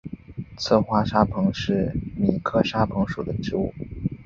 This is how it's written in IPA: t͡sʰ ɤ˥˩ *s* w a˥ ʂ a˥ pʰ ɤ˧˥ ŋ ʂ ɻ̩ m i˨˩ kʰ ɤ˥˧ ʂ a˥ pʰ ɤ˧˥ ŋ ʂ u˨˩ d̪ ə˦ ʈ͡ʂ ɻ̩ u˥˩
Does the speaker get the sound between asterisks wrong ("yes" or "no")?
yes